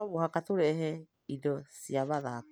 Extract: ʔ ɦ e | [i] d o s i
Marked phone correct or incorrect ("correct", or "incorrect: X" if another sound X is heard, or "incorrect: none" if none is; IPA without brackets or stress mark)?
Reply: correct